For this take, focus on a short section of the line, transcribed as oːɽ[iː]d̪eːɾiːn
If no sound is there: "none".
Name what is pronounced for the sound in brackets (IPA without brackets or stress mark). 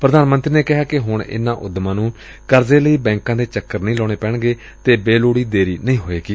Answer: iː